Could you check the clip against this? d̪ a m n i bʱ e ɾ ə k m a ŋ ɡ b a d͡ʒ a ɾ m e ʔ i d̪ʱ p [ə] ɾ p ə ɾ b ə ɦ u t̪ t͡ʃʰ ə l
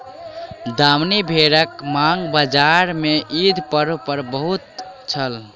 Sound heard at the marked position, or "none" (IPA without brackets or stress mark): ə